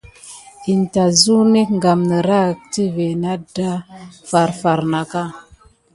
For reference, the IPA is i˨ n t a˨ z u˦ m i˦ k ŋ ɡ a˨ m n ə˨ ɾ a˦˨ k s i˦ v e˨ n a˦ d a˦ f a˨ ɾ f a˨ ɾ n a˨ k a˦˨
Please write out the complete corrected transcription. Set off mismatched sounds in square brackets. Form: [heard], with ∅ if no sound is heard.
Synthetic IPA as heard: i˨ n t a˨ z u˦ [n] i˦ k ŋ ɡ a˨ m n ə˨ ɾ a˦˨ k [t] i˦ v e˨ n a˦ d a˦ f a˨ ɾ f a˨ ɾ n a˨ k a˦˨